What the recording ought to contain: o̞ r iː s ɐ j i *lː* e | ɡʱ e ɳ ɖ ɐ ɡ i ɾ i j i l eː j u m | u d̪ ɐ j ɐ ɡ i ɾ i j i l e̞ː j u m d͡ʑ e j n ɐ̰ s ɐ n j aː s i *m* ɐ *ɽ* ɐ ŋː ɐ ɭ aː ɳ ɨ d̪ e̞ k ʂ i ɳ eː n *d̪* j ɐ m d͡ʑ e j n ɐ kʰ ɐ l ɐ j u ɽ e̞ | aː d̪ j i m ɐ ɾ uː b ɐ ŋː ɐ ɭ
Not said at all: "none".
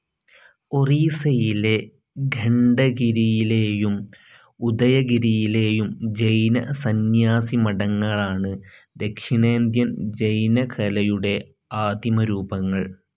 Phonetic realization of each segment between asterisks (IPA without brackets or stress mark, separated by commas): l, m, ɽ, d̪